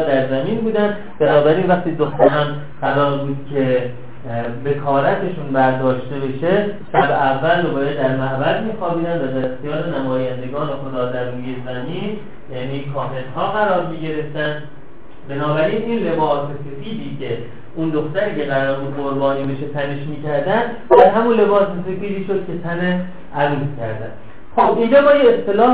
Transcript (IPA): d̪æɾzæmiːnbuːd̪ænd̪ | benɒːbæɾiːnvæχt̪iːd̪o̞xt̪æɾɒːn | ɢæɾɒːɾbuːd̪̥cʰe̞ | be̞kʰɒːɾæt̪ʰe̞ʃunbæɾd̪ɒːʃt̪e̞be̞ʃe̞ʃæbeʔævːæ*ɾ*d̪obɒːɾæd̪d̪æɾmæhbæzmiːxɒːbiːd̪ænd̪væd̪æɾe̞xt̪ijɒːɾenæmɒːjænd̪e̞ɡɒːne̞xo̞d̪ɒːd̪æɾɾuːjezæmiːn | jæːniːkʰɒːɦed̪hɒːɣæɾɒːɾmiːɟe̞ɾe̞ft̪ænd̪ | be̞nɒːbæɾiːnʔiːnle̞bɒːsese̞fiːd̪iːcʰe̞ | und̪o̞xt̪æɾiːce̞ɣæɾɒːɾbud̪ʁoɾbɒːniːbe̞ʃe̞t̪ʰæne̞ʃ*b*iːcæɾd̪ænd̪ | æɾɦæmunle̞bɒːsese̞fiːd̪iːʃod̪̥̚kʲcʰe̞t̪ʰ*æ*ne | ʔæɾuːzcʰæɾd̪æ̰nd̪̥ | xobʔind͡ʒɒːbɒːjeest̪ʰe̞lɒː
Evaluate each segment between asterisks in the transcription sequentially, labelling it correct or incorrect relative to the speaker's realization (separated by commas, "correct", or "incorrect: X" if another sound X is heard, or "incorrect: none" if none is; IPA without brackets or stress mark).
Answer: incorrect: l, incorrect: m, correct